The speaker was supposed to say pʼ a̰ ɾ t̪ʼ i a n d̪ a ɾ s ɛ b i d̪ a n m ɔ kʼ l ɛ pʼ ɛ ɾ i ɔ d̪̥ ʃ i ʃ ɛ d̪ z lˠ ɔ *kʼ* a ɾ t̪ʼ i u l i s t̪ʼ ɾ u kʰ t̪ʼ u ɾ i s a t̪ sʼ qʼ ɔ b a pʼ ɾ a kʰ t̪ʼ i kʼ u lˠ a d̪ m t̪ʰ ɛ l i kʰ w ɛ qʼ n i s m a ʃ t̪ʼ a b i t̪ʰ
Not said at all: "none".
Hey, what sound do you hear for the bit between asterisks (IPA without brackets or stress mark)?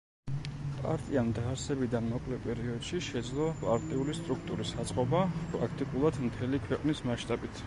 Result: pʼ